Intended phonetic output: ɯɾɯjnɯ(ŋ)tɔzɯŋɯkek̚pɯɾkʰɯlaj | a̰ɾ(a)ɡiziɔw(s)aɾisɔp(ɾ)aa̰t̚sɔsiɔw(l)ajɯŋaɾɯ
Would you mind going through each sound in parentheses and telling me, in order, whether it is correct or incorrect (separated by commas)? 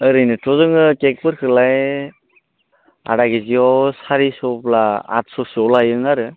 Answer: incorrect, correct, correct, incorrect, correct